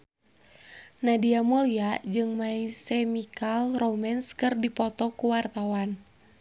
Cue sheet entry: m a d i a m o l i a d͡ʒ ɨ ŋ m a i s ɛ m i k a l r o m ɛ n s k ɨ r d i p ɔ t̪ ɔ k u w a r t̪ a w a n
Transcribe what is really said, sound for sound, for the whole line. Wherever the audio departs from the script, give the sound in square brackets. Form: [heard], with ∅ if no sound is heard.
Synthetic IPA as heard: [n] a d i a m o l i a d͡ʒ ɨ ŋ m a i s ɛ m i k a l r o m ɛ n s k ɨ r d i p ɔ t̪ ɔ k u w a r t̪ a w a n